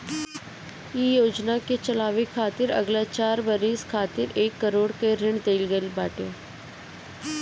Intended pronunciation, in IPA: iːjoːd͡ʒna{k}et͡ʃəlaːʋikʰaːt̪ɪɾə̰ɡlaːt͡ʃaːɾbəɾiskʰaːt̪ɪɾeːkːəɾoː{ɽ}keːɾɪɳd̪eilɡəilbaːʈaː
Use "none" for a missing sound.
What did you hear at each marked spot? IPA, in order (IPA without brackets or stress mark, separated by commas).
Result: k, ɽ